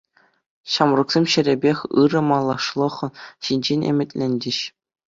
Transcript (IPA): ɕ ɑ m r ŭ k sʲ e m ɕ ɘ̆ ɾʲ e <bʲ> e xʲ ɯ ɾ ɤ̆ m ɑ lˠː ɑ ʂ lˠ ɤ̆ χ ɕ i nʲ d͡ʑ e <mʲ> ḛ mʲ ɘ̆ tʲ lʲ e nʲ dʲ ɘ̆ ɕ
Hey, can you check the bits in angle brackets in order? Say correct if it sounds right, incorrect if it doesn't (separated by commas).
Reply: correct, incorrect